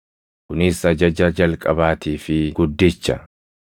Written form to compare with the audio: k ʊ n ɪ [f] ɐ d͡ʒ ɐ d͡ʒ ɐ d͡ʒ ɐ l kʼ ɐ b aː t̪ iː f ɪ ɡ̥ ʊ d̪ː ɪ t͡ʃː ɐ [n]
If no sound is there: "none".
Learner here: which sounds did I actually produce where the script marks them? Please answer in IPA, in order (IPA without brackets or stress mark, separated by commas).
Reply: s, none